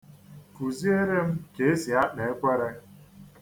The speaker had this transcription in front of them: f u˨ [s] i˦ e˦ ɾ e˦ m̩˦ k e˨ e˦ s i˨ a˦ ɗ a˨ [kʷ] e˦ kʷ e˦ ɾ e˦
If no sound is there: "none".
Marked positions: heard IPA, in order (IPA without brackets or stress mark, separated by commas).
z, none